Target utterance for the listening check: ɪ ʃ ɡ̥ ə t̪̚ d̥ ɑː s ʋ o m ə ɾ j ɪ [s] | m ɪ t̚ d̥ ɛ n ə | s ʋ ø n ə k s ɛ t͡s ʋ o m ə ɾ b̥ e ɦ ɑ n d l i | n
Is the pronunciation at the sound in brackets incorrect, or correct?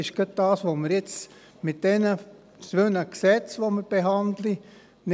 incorrect